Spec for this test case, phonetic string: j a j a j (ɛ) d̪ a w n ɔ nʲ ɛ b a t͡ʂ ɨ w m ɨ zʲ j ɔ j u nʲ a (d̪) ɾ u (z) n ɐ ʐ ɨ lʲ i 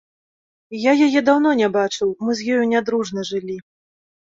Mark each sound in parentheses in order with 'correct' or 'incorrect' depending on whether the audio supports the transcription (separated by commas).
correct, correct, incorrect